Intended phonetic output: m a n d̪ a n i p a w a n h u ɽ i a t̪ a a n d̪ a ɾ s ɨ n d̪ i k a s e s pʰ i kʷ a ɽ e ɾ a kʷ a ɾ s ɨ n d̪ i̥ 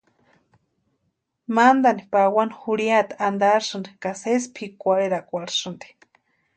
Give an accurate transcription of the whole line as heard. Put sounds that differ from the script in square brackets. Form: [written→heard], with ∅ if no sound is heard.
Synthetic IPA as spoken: m a n d̪ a n i p a w a n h u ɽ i a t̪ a a n d̪ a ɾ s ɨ n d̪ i k a s e s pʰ i kʷ a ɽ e ɾ a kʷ a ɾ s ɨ n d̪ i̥

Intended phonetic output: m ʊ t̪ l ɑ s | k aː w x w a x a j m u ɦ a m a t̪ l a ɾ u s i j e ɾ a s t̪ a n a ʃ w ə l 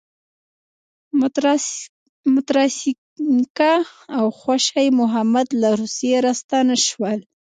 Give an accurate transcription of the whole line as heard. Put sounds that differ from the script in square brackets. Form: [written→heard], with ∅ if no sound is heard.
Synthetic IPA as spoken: m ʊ t̪ [l→ɾ] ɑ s | k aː w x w a [x→ʃ] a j m [u→ʊ] ɦ a m a [t̪→d̪] l a ɾ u s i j e ɾ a s t̪ a n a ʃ w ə l

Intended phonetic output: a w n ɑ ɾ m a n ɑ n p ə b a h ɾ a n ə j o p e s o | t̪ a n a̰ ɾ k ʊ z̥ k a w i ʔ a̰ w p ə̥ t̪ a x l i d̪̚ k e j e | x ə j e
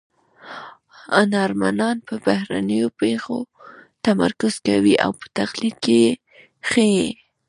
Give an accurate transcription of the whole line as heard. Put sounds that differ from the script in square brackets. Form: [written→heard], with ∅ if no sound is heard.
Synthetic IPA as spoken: a [w→∅] n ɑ ɾ m a n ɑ n p ə b a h ɾ a n ə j o p e [s→x] o | t̪ a [n→m] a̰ ɾ k ʊ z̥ k a w i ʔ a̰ w p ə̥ t̪ a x l i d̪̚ k e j e | x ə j e

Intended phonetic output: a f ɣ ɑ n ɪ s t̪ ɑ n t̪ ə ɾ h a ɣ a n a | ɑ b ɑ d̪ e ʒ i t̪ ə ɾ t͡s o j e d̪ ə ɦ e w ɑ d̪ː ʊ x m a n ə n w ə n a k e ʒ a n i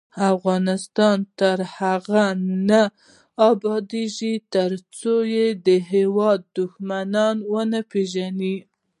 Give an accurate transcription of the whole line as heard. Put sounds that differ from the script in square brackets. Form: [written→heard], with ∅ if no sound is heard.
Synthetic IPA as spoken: a f ɣ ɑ n ɪ s t̪ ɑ n t̪ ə ɾ h a ɣ a n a | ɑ b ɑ d̪ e ʒ i t̪ ə ɾ t͡s o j e d̪ ə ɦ e w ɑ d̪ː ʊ x m a n [ə→ɑ] n w ə n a [k→p] e ʒ a n i

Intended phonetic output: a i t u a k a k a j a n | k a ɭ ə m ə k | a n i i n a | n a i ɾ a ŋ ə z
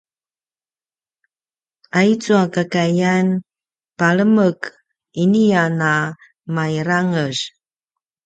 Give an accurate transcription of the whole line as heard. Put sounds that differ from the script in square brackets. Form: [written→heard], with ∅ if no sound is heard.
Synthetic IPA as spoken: a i [t→t͡s] u a k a k a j a n | [k→p] a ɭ ə m ə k | [a→i] n i [i→a] n a | [n→m] a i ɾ a ŋ ə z

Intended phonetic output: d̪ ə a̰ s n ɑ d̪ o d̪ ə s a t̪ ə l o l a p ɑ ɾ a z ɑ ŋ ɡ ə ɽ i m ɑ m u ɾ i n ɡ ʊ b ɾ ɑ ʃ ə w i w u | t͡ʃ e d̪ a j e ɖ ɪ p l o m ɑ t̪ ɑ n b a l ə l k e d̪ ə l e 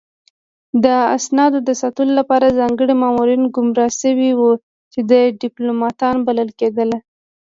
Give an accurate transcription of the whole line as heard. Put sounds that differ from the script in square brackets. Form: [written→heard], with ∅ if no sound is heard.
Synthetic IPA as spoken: d̪ ə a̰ s n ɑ d̪ o d̪ ə s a t̪ ə l o l a p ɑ ɾ a z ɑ ŋ ɡ ə ɽ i m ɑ m u ɾ i n ɡ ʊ [b→m] ɾ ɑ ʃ ə w i w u | t͡ʃ e d̪ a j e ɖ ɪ p l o m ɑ t̪ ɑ n b a l ə l k e d̪ ə l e

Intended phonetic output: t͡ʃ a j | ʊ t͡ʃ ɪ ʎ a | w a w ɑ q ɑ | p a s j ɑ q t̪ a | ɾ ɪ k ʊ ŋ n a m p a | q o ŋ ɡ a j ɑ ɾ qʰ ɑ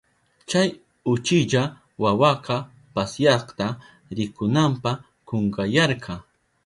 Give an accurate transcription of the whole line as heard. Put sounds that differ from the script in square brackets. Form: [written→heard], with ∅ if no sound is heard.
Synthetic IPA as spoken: t͡ʃ a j | ʊ t͡ʃ ɪ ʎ a | w a w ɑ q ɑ | p a s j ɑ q t̪ a | ɾ ɪ k ʊ [ŋ→∅] n a m p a | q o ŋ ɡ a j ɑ ɾ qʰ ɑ

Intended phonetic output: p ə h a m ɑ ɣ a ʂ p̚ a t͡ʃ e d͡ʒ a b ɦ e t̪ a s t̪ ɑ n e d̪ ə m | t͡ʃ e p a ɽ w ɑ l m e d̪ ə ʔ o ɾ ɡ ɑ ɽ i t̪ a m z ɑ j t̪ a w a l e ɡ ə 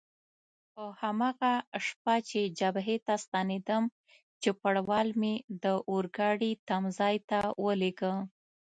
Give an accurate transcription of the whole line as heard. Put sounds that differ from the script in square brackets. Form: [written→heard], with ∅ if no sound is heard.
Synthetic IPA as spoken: p ə h a m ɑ ɣ a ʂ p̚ a t͡ʃ e d͡ʒ a b ɦ e t̪ a s t̪ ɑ n e d̪ ə m | t͡ʃ e p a ɽ w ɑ l m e d̪ ə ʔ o ɾ ɡ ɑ ɽ i t̪ a m z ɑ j t̪ a w [a→ə] l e ɡ ə

